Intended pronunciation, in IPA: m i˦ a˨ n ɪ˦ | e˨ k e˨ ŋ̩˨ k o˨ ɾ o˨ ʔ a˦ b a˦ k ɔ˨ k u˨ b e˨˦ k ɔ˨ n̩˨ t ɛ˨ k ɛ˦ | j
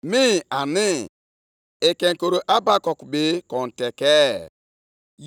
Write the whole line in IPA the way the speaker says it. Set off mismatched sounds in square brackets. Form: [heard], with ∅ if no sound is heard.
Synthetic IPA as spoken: m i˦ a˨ n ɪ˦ | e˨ k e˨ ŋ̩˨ k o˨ ɾ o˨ ʔ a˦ b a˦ k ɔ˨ k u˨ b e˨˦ k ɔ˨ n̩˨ t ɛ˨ k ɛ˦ | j